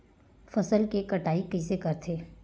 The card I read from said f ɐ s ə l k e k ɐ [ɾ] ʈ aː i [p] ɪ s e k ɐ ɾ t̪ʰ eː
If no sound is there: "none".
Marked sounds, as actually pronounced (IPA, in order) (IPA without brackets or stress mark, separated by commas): none, k